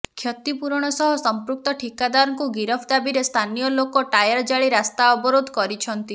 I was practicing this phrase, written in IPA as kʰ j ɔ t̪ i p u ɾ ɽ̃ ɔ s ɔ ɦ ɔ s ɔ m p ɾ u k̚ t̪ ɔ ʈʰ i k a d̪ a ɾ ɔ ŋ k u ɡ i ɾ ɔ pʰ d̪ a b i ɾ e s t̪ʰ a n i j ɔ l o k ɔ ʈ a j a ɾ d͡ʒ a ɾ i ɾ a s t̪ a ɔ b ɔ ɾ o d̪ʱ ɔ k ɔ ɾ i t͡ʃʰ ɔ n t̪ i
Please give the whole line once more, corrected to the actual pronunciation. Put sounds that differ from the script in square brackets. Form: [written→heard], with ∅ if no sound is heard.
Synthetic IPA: kʰ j ɔ t̪ i p u ɾ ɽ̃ ɔ s ɔ ɦ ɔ s ɔ m p ɾ u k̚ t̪ ɔ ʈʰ i k a d̪ a ɾ ɔ ŋ k u ɡ i ɾ ɔ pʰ d̪ a b i ɾ e s t̪ʰ a n i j ɔ l o k ɔ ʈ a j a ɾ d͡ʒ a [ɾ→ɭ] i ɾ a s t̪ a ɔ b ɔ ɾ o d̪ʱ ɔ k ɔ ɾ i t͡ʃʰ ɔ n t̪ i